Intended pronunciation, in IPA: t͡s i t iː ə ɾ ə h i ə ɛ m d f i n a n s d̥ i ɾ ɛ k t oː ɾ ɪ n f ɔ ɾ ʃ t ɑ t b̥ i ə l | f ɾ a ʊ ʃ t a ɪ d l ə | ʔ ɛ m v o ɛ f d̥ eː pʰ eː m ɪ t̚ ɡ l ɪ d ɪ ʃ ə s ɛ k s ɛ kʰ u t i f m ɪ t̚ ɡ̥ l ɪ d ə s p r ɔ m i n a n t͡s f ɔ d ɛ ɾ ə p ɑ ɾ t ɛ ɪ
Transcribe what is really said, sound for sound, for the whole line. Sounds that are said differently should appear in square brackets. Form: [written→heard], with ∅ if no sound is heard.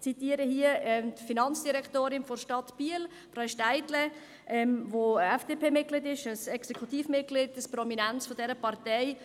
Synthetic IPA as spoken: t͡s i t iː ə ɾ ə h i ə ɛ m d f i n [a→ɑ] n [s→t͡s] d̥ i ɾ ɛ k t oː ɾ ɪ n f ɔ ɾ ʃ t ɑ t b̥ i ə l | f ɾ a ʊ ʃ t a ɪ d l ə | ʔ ɛ m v o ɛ f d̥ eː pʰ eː m ɪ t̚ ɡ l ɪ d ɪ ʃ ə s ɛ k s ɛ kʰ u t [i→iː] f m ɪ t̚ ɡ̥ l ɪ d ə s p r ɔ m i n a n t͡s f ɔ d ɛ ɾ ə p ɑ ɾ t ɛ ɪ

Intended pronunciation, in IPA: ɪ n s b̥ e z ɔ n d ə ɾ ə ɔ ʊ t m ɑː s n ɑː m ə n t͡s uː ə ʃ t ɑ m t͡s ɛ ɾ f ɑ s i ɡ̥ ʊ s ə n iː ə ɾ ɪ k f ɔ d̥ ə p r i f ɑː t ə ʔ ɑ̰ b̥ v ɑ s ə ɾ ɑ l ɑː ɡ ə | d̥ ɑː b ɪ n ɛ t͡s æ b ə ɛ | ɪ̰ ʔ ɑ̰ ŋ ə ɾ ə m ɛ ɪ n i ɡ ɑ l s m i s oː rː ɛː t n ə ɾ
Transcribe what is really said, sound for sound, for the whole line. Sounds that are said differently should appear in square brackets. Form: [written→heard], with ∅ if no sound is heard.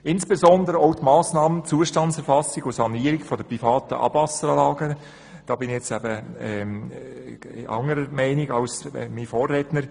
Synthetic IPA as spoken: ɪ n s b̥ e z ɔ n d ə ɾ ə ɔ ʊ t m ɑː s n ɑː m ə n t͡s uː ə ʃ t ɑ [m→n] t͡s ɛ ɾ f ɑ s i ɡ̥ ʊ s [ə→ɑ] n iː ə ɾ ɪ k f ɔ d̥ ə p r i f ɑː t ə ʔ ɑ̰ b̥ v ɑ s ə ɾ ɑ l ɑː ɡ ə | d̥ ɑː b ɪ n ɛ t͡s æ b ə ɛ | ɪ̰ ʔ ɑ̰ ŋ ə ɾ ə m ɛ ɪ n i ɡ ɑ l s m i [s→f] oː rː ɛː t n ə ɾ

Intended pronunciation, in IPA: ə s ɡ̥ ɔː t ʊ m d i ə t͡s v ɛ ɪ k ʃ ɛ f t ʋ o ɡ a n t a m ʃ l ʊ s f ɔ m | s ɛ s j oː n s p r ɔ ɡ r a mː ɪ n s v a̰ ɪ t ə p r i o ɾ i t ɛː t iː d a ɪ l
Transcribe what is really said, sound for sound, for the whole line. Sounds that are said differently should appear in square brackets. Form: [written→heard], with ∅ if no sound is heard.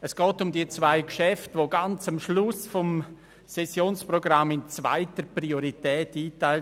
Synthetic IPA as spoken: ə s ɡ̥ ɔː t ʊ m d i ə t͡s v [ɛ→a] ɪ k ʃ ɛ f t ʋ o ɡ a n [t→t͡s] a m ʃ l ʊ s f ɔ m | s ɛ s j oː n s p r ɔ ɡ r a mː ɪ n [s→t͡s] v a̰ ɪ t ə p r i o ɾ i t ɛː t iː [d→t] a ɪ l

